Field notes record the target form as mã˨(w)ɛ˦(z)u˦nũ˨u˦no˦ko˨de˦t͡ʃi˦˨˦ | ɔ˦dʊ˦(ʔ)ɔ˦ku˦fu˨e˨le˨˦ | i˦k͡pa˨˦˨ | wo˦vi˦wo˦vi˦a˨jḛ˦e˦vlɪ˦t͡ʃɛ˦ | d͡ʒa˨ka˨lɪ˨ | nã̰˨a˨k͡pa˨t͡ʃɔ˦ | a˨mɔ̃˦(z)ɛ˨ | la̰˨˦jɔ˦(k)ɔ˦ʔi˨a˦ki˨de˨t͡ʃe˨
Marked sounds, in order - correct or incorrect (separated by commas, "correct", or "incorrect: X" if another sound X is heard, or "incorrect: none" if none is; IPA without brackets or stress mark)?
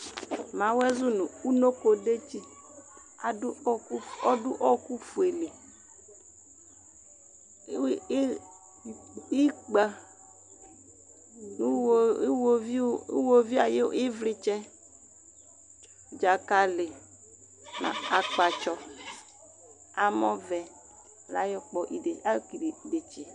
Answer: correct, correct, correct, incorrect: v, incorrect: k͡p